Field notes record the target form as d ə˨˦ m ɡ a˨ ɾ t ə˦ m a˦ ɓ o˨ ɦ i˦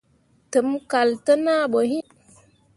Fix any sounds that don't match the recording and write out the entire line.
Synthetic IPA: t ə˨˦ m k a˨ l t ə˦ n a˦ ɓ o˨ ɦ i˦